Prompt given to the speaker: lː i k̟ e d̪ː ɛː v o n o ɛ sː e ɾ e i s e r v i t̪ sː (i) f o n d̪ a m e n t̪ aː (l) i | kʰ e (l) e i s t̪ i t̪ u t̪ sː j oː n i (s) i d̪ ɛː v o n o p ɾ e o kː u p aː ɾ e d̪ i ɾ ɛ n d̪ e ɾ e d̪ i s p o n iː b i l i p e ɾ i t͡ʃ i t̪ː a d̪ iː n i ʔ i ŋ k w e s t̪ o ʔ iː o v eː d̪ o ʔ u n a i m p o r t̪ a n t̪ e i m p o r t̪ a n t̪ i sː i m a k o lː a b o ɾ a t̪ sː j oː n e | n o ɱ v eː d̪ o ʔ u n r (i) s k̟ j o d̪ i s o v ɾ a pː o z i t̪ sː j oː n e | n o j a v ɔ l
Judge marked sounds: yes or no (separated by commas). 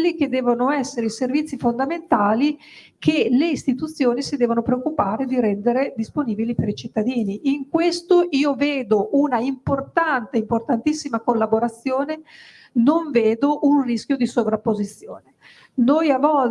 yes, yes, yes, yes, yes